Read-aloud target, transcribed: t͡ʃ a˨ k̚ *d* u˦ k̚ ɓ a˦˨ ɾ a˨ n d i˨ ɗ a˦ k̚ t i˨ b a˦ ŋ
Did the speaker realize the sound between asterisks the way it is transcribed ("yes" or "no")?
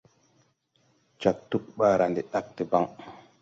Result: no